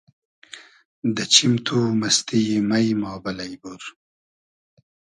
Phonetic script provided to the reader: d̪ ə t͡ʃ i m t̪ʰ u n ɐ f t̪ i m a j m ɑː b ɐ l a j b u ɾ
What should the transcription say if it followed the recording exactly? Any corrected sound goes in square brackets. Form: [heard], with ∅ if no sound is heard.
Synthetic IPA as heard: d̪ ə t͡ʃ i m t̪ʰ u [m] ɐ [s] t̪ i m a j m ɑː b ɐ l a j b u ɾ